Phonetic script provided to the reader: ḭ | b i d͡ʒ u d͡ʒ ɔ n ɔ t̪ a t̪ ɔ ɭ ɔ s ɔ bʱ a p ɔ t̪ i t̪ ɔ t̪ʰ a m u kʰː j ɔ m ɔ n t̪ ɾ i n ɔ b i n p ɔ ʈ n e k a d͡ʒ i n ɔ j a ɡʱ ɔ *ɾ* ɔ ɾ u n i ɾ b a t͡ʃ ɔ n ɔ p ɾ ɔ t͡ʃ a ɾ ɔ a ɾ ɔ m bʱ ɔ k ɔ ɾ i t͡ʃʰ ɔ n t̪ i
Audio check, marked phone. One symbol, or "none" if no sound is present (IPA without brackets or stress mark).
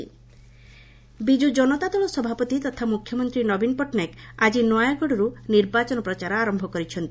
ɽ